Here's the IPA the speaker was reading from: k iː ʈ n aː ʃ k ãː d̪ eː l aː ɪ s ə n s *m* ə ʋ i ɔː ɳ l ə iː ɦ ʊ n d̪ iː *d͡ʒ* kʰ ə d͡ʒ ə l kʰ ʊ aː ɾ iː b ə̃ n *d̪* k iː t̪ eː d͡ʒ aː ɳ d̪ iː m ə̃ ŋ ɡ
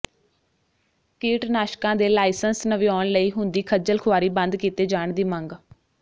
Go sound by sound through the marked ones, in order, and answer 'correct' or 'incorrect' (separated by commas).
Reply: incorrect, incorrect, correct